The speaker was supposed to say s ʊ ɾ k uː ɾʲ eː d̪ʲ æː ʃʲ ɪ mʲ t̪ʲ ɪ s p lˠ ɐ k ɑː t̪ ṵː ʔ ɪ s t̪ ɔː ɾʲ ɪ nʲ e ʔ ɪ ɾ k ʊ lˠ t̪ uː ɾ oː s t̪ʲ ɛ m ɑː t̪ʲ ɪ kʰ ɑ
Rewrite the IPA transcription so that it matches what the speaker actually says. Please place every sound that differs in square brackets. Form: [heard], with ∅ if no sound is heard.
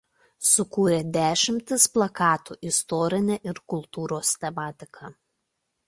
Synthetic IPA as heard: s ʊ [∅] k uː ɾʲ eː d̪ʲ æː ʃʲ ɪ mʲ t̪ʲ ɪ s p lˠ ɐ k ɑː t̪ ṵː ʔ ɪ s t̪ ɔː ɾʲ ɪ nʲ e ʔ ɪ ɾ k ʊ lˠ t̪ uː ɾ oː s t̪ʲ ɛ m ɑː t̪ʲ ɪ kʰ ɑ